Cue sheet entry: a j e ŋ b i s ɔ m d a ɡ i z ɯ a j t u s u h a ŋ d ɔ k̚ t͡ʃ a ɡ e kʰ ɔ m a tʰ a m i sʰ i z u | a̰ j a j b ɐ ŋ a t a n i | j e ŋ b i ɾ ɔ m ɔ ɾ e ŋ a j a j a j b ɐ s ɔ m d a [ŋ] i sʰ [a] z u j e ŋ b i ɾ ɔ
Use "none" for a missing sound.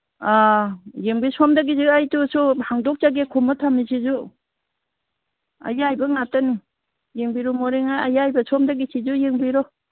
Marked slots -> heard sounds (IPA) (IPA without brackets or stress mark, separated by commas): ɡ, i